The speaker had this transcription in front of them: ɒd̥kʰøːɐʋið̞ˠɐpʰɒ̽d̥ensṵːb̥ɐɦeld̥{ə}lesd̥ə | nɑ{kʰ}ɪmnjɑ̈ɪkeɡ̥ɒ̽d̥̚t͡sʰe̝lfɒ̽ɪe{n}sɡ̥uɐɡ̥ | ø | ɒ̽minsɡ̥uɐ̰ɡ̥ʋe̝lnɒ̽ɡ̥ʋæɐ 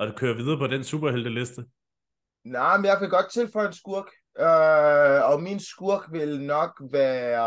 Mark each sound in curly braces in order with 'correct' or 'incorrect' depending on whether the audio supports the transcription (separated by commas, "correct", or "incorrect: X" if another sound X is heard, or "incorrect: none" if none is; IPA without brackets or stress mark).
correct, incorrect: none, correct